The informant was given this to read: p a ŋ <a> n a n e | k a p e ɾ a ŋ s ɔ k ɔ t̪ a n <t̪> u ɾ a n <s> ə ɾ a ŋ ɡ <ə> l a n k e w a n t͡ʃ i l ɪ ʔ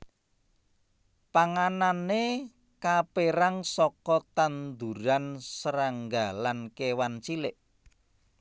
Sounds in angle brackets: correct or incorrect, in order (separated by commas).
correct, incorrect, correct, incorrect